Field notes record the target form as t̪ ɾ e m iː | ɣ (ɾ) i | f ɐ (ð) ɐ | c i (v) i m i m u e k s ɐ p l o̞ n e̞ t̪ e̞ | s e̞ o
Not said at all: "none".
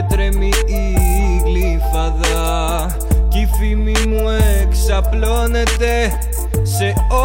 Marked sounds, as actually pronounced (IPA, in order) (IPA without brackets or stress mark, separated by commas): l, ð, f